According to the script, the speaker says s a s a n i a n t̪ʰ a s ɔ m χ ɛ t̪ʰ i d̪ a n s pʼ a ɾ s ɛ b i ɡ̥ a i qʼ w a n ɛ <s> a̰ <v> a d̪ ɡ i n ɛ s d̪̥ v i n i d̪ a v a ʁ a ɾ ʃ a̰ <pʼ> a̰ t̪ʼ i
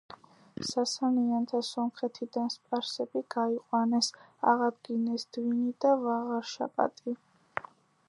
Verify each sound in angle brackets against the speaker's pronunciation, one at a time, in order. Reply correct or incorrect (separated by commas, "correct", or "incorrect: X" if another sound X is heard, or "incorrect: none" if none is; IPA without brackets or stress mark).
correct, incorrect: ʁ, correct